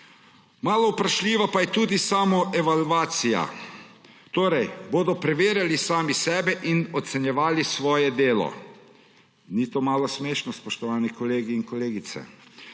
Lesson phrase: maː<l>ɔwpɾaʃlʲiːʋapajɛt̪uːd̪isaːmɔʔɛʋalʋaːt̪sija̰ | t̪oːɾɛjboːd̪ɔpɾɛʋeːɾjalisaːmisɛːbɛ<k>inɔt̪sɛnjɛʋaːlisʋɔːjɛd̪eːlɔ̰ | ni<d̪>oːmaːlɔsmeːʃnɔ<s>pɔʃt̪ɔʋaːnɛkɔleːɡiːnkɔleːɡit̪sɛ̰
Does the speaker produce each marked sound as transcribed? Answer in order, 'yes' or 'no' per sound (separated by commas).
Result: yes, no, no, yes